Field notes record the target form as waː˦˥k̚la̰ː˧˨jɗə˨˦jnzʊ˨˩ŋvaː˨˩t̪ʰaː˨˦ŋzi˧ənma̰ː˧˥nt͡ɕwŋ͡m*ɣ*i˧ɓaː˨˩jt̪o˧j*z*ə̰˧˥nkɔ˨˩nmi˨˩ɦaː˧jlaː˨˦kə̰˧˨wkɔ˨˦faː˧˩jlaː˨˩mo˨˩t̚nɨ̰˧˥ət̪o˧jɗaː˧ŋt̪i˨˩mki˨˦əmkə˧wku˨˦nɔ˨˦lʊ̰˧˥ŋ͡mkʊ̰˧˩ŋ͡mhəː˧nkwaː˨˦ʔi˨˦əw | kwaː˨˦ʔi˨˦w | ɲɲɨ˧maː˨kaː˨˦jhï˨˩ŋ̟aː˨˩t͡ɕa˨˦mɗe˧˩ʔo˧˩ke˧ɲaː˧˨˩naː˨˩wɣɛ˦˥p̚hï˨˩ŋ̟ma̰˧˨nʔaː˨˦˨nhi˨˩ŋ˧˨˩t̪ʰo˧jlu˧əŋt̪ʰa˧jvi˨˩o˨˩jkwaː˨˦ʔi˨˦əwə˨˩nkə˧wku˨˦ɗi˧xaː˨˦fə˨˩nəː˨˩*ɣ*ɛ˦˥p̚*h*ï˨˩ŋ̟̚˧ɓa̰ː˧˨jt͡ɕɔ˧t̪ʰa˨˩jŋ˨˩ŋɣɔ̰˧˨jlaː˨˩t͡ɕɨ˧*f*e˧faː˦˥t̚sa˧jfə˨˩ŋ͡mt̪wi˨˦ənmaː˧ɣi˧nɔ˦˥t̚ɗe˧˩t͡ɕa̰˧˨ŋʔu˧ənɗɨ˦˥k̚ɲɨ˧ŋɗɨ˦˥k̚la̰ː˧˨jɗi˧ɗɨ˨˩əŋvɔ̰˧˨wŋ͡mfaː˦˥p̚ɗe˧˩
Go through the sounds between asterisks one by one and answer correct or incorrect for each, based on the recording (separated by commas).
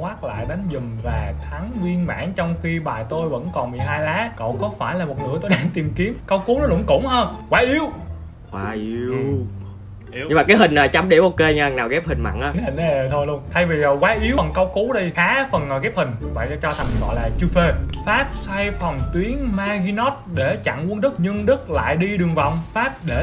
incorrect, incorrect, correct, correct, correct